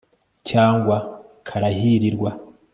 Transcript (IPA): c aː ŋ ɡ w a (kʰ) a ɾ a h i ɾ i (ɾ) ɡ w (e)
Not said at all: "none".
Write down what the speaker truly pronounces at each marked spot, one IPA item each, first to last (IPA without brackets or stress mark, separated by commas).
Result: kʰ, ɾ, a